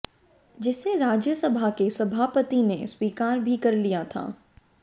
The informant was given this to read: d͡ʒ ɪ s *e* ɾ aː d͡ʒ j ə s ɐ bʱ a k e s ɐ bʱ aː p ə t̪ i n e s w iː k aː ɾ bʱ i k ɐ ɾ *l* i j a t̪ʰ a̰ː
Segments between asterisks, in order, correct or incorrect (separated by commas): correct, correct